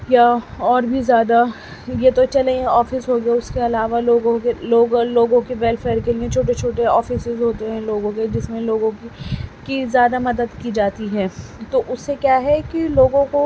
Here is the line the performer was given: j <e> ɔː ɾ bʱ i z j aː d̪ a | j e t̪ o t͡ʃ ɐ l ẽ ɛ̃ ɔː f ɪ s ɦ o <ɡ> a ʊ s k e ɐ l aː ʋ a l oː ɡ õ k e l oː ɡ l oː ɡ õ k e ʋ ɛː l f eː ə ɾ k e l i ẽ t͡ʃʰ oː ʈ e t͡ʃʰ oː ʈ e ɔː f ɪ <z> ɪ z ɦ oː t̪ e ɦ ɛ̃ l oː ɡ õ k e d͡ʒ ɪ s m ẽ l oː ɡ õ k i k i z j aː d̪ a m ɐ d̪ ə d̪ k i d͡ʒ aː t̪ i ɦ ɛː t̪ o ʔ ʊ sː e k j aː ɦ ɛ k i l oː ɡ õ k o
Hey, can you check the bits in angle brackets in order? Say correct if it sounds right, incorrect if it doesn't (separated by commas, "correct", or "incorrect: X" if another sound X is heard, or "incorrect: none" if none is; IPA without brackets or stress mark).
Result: incorrect: a, correct, incorrect: s